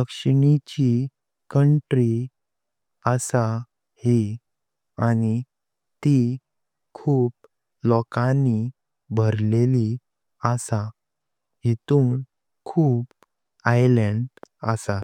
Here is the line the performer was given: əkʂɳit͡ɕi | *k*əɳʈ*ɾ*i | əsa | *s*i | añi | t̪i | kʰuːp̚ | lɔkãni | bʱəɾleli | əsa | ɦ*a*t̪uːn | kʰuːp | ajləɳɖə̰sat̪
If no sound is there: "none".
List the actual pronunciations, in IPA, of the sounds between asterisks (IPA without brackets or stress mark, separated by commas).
k, ɾ, h, i